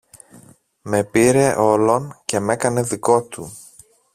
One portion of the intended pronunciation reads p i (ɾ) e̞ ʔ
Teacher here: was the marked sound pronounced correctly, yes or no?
yes